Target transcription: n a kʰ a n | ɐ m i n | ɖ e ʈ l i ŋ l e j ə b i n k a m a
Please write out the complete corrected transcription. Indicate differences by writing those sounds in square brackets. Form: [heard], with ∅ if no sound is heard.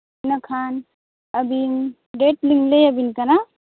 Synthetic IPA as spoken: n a kʰ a n | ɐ [b] i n | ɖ e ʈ l i ŋ l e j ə b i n k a [n] a